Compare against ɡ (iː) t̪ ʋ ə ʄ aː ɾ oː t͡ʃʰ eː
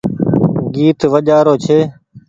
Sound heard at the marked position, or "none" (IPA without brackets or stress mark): iː